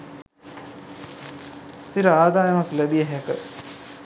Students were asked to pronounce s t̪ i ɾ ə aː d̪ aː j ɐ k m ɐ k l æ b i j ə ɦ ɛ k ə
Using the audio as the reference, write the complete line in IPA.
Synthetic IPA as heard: s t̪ i ɾ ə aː d̪ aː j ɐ m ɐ k l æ b i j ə ɦ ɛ k ə